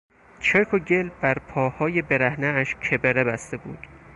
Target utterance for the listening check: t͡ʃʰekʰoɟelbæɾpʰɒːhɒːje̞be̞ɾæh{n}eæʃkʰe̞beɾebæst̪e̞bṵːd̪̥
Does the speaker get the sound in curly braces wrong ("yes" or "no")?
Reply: no